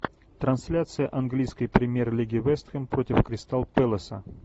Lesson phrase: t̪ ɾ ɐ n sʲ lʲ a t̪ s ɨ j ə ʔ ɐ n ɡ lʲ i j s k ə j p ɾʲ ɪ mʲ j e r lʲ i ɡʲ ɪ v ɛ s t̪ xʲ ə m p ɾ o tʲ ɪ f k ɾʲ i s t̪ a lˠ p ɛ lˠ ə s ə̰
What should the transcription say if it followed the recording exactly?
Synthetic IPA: t̪ ɾ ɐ n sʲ lʲ a t̪ s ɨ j ə ʔ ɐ n ɡ lʲ i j s k ə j p ɾʲ ɪ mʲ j e r lʲ i ɡʲ ɪ v ɛ s t̪ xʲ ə m p ɾ o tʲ ɪ f k ɾʲ ɪ s t̪ a lˠ p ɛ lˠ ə s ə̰